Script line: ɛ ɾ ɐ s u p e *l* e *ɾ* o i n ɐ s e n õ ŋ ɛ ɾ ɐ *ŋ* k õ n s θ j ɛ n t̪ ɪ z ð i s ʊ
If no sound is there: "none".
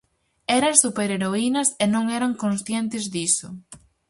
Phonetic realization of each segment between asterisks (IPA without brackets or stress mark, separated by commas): ɾ, ɾ, ŋ